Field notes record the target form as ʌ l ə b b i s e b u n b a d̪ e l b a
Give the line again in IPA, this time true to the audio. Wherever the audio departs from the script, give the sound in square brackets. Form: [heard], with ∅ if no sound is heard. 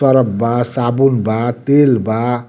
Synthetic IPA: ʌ [ɾ] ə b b [a] s [a] b u n b a [t̪] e l b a